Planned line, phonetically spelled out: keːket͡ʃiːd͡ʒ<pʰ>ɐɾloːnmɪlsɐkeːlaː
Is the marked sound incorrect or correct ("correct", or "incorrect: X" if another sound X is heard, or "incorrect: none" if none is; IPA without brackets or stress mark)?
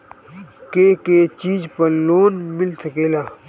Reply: incorrect: p